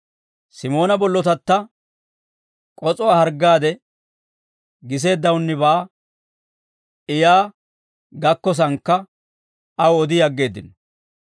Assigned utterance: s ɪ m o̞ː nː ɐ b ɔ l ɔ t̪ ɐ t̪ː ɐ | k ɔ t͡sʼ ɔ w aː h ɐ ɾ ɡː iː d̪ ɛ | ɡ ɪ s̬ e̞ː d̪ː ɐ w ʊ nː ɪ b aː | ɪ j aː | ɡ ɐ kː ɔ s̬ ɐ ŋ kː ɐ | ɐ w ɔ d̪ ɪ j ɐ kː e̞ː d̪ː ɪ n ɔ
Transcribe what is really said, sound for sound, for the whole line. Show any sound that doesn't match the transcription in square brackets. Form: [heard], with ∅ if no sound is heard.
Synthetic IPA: s ɪ m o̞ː [n] ɐ b ɔ [lː] ɔ t̪ ɐ t̪ː ɐ | [kʼ] ɔ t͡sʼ ɔ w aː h ɐ ɾ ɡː [aː] d̪ ɛ | ɡ ɪ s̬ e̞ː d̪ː ɐ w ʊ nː ɪ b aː | ɪ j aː | ɡ ɐ kː ɔ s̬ ɐ ŋ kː ɐ | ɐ w ɔ d̪ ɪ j ɐ [ɡː] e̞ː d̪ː ɪ n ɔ